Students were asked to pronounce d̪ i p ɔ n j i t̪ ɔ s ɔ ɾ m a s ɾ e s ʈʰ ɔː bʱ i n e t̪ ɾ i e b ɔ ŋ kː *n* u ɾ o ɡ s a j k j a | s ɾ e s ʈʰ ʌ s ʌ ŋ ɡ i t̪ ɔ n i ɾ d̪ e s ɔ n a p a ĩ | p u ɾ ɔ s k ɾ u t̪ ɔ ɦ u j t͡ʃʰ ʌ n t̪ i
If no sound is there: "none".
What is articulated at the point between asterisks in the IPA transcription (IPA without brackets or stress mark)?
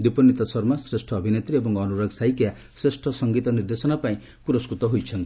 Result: n